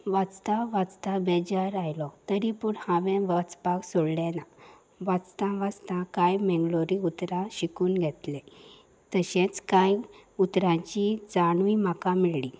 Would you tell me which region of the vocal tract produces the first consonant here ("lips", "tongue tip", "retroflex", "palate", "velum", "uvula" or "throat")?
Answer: lips